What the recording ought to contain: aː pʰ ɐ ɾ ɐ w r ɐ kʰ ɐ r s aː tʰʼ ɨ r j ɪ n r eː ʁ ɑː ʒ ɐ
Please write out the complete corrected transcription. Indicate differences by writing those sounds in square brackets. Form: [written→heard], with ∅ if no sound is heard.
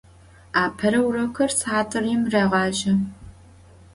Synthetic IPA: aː pʰ ɐ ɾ ɐ w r ɐ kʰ ɐ r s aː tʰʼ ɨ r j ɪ [n→m] r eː ʁ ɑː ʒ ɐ